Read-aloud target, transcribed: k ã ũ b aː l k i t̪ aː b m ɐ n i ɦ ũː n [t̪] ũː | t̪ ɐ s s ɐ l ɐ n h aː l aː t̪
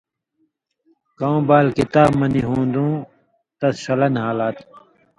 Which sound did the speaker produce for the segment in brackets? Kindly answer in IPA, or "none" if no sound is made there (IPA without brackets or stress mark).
d̪